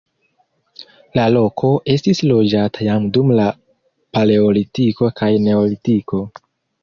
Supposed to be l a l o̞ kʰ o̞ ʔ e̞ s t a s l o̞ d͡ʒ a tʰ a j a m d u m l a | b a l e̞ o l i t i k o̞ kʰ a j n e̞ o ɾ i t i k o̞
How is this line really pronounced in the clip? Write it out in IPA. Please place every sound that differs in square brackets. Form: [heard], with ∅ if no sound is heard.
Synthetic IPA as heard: l a l o̞ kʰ o̞ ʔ e̞ s t [i] s l o̞ d͡ʒ a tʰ a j a m d u m l a | [p] a l e̞ o l i t i k o̞ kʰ a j n e̞ o [l] i t i k o̞